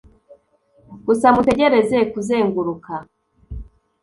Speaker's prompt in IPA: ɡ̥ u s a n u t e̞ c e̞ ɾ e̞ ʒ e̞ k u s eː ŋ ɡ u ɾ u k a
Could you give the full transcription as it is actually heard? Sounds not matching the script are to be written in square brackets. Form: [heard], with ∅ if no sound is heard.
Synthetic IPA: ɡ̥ u s a [m] u t e̞ [ɟ] e̞ ɾ e̞ [z] e̞ k u [z] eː ŋ ɡ u ɾ u k a